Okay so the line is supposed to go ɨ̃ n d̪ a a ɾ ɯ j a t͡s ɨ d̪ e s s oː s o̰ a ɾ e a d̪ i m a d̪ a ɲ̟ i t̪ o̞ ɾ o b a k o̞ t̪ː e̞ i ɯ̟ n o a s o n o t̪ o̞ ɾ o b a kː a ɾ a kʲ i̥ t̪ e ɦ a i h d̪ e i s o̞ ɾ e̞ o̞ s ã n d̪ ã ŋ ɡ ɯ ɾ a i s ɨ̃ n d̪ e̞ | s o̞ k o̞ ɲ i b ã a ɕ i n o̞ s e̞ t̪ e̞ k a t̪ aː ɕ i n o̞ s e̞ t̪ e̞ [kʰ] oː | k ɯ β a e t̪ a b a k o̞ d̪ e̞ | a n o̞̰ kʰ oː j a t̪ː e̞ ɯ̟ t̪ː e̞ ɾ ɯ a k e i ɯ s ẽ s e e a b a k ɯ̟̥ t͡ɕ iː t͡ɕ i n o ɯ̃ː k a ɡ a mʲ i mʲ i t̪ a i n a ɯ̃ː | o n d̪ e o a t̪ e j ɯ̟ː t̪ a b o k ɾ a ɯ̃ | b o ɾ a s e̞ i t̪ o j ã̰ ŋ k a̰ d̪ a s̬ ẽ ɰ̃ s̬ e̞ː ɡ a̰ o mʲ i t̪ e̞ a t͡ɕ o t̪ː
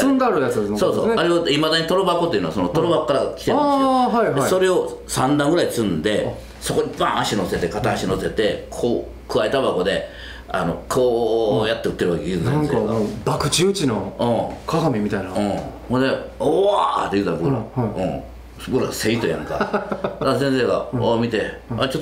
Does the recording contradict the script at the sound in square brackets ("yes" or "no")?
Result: no